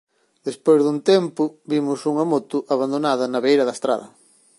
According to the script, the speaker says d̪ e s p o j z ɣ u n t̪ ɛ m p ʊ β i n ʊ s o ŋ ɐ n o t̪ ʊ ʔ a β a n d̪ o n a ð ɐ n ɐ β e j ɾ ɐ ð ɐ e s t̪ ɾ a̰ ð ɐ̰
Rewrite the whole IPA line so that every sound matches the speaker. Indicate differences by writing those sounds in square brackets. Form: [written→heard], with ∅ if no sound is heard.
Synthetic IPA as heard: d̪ e s p o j z [ɣ→ð] u n t̪ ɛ m p ʊ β i [n→m] ʊ s [o→u] ŋ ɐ [n→m] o t̪ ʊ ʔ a β a n d̪ o n a ð ɐ n ɐ β e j ɾ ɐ ð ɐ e s t̪ ɾ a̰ ð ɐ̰